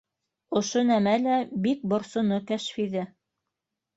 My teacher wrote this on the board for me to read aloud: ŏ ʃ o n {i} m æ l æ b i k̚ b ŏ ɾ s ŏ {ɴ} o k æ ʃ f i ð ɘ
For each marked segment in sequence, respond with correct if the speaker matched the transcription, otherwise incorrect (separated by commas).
incorrect, incorrect